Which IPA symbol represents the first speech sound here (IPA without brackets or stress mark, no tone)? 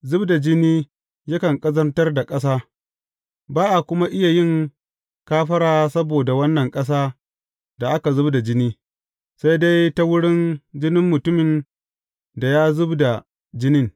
z